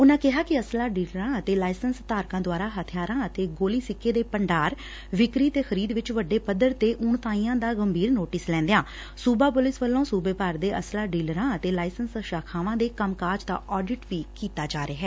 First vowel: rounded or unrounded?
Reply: rounded